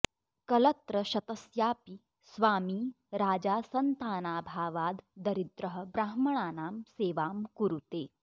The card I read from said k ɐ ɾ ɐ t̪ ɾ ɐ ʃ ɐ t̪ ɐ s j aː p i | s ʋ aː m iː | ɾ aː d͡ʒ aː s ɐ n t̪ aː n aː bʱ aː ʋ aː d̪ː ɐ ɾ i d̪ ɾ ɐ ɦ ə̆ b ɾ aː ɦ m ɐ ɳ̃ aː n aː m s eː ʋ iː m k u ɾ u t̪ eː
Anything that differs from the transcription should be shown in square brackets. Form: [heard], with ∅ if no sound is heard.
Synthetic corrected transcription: k ɐ [l] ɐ t̪ ɾ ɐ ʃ ɐ t̪ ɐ s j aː p i | s ʋ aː m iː | ɾ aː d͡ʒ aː s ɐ n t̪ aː n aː bʱ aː ʋ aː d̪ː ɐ ɾ i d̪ ɾ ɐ ɦ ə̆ b ɾ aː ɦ m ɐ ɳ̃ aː n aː m s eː ʋ [aː] m k u ɾ u t̪ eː